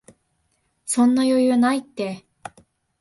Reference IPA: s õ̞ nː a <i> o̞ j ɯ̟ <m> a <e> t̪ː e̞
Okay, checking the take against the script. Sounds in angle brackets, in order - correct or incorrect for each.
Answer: incorrect: j, incorrect: n, incorrect: i

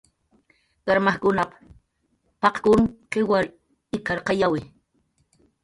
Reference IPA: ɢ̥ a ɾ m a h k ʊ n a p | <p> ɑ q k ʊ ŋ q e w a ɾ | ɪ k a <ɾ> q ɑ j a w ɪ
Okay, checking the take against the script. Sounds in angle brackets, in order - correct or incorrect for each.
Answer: correct, correct

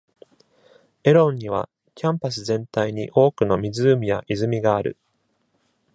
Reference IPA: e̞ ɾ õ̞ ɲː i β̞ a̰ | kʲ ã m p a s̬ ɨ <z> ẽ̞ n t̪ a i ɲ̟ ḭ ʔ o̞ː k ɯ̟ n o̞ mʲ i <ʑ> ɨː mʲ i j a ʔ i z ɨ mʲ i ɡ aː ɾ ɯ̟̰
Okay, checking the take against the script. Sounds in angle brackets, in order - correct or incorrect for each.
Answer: correct, incorrect: z

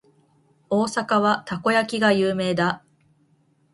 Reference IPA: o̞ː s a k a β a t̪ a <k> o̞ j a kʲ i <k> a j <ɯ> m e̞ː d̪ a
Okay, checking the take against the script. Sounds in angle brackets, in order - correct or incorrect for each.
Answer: correct, incorrect: ɡ, incorrect: ɯː

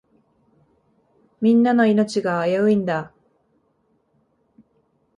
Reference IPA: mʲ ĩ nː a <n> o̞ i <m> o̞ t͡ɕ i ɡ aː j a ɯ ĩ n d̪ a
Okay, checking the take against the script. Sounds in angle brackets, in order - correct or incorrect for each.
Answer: correct, incorrect: n

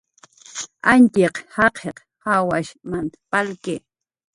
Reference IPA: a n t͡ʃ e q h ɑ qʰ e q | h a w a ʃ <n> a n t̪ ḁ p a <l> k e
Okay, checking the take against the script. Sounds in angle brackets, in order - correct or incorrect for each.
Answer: incorrect: m, correct

